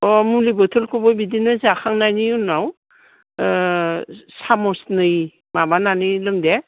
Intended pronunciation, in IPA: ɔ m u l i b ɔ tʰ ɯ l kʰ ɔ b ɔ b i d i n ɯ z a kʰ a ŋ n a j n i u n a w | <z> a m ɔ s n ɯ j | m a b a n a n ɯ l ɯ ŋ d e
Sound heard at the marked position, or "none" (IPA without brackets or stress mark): s